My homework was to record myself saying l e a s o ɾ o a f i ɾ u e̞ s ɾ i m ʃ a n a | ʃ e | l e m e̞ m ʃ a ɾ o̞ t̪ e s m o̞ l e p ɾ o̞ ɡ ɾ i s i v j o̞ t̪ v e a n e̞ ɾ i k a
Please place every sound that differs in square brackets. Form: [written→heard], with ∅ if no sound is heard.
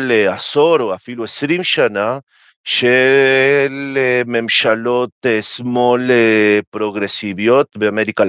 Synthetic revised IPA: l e a s o ɾ o a f i [ɾ→l] u e̞ s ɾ i m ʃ a n a | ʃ e | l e m e̞ m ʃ a [ɾ→l] o̞ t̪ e s m o̞ l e p ɾ o̞ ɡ ɾ [i→e] s i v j o̞ t̪ [v→b] e a [n→m] e̞ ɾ i k a